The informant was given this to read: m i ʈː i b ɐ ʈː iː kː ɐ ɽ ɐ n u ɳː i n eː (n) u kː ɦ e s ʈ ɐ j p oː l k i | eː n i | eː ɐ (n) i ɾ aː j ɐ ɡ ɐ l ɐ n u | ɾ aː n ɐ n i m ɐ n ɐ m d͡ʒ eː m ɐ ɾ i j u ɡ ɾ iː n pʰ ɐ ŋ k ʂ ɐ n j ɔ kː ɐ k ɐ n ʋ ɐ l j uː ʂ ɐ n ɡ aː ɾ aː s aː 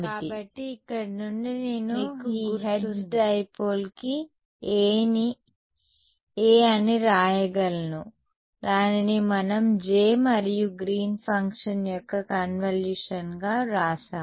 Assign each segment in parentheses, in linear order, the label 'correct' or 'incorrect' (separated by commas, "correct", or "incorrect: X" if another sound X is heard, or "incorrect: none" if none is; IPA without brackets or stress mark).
correct, correct